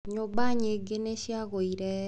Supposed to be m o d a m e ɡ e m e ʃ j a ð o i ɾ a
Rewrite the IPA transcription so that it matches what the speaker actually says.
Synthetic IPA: ɲ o b a ɲ e ɡ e n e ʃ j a ɣ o i ɾ ɛ

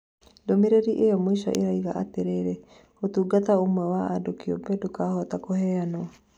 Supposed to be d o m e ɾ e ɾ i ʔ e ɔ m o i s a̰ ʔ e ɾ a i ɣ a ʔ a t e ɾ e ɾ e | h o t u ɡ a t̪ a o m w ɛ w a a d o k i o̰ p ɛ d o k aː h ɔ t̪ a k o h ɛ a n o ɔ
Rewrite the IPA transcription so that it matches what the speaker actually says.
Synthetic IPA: d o m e ɾ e ɾ i ʔ e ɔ m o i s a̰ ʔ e ɾ a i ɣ a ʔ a t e ɾ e ɾ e | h o t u ɡ a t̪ a o m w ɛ w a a d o k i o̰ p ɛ d o k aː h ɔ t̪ a k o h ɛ a n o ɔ

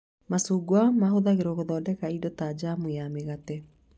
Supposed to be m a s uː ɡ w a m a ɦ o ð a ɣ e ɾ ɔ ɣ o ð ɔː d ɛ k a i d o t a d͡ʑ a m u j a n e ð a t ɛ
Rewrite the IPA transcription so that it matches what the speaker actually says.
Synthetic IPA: m a s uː ɡ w a m a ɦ o ð a ɣ e ɾ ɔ ɣ o ð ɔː d ɛ k a i d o t a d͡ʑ a m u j a m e ɣ a t ɛ

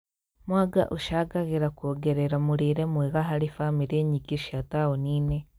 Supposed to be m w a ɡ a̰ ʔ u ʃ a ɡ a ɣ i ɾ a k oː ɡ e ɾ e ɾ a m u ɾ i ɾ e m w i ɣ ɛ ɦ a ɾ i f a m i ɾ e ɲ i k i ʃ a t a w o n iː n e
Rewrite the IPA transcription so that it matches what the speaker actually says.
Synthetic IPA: m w a ɡ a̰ ʔ u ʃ a ɡ a ɣ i ɾ a k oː ɡ e ɾ e ɾ a m u ɾ i ɾ e m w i ɣ a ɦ a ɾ i f a m i ɾ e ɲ i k i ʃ a t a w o n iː n e

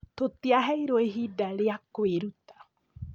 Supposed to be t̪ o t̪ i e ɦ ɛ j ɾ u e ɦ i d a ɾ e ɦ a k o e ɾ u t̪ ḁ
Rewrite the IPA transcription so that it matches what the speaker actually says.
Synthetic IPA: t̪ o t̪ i a ɦ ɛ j ɾ o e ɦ i d a ɾ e a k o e ɾ u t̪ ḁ

